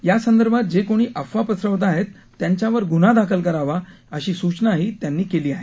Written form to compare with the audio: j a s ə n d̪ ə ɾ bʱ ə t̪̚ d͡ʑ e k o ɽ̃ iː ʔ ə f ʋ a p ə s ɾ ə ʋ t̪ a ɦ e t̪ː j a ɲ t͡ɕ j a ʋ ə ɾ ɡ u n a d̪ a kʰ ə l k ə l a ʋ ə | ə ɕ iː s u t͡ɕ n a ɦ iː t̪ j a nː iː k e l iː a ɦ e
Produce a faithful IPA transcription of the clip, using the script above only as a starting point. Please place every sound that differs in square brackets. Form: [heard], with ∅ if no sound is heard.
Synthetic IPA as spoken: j a s ə n d̪ ə ɾ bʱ [a] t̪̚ d͡ʑ e k o ɽ̃ iː ʔ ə f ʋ a p ə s ɾ ə ʋ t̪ a ɦ e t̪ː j a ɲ t͡ɕ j a ʋ ə ɾ ɡ u n a d̪ a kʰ ə l k ə [ɾ] a ʋ [a] | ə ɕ iː s u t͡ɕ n a ɦ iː t̪ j a nː iː k e l iː a ɦ e